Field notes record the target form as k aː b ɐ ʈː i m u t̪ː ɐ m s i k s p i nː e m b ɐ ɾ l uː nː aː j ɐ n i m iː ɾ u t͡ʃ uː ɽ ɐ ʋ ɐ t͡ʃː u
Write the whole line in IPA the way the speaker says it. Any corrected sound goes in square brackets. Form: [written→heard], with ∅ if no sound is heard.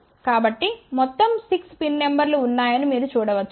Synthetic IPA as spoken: k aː b ɐ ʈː i m [u→ɔ] t̪ː ɐ m s i k s p i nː e m b ɐ ɾ l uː nː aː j ɐ n i m iː ɾ u t͡ʃ uː ɽ ɐ ʋ ɐ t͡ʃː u